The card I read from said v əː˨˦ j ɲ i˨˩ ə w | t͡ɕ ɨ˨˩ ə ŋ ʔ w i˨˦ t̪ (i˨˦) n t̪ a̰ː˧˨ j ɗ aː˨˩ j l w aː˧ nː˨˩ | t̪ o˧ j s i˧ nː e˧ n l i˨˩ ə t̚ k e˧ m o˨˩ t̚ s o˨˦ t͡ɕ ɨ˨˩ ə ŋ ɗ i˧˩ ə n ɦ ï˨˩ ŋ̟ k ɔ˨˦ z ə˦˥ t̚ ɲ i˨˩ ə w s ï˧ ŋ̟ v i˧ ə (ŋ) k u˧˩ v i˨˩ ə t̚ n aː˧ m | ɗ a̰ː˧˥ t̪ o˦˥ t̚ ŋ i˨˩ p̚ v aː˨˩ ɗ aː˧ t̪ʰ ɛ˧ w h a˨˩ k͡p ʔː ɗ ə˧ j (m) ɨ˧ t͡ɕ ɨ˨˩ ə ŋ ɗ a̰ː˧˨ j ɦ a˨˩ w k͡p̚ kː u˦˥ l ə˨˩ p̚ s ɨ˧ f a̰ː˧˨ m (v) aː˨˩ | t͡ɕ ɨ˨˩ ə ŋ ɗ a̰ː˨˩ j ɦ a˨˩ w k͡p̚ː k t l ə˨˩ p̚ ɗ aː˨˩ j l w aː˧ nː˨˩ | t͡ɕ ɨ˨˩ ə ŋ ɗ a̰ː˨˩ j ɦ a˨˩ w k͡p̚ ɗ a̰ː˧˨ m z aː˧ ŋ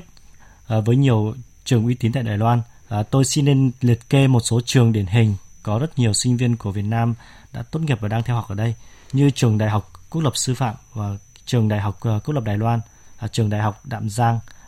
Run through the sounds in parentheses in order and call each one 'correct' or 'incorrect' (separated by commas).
correct, incorrect, incorrect, correct